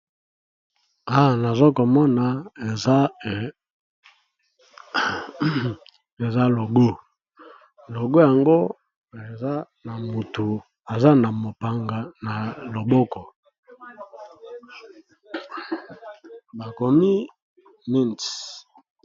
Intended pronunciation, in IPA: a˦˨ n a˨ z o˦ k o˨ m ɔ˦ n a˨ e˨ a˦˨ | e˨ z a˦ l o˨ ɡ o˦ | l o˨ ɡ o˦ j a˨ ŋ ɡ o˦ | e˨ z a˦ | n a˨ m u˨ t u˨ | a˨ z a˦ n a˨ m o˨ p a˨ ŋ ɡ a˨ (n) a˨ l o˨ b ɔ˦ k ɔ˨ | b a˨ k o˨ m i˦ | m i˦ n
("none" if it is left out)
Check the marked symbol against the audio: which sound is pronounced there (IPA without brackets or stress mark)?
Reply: n